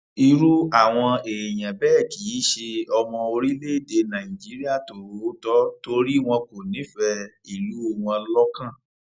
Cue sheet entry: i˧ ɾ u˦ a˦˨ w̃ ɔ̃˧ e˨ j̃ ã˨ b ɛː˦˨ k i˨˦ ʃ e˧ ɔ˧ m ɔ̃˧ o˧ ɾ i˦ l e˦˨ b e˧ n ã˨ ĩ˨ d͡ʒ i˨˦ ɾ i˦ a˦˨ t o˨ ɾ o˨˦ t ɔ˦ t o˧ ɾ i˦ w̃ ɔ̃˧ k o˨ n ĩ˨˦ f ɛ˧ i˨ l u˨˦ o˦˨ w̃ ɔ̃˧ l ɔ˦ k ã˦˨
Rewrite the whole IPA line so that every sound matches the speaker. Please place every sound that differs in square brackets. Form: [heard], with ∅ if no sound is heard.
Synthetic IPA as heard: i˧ ɾ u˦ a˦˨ w̃ ɔ̃˧ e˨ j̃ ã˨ b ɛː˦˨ k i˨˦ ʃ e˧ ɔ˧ m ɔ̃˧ o˧ ɾ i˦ l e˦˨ [d] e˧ n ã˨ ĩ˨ d͡ʒ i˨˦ ɾ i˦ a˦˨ t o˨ ɾ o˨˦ t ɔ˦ t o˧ ɾ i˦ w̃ ɔ̃˧ k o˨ n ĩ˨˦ f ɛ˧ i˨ l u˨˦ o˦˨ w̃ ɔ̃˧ l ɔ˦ k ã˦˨